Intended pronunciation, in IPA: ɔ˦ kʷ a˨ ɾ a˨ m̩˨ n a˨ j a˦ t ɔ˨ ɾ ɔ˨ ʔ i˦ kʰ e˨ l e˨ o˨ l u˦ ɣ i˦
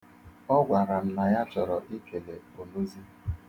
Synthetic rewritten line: ɔ˦ ɡʷ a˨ ɾ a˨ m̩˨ n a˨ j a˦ t͡ʃ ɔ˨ ɾ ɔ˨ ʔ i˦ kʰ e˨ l e˨ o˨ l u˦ z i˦